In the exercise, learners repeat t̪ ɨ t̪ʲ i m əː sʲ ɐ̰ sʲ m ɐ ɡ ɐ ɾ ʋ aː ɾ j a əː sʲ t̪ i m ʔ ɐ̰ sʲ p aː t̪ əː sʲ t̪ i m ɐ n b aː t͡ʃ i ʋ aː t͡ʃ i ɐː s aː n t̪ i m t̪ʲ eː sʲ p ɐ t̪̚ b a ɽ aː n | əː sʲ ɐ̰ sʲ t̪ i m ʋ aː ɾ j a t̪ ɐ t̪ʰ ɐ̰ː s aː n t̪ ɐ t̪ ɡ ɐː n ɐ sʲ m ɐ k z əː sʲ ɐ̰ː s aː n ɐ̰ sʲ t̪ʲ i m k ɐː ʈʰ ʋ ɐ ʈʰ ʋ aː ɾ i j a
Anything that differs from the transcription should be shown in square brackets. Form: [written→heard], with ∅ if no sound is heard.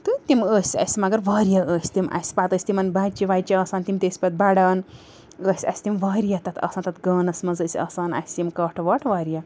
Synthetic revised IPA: t̪ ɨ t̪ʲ i m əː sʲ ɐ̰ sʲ m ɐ ɡ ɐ ɾ ʋ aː ɾ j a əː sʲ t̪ i m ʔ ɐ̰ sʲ p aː t̪ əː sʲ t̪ i m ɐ n b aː t͡ʃ i ʋ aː t͡ʃ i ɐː s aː n t̪ i m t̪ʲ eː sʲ p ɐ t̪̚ b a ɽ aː n | əː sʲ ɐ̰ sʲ t̪ i m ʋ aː ɾ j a t̪ ɐ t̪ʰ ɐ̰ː s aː n t̪ ɐ t̪ ɡ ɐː n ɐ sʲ m ɐ [k→∅] z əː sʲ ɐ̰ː s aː n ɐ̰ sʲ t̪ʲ i m k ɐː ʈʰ ʋ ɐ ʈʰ ʋ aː ɾ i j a